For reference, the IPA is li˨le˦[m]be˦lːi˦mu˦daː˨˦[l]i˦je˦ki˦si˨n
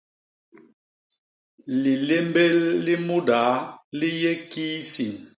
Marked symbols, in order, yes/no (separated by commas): yes, yes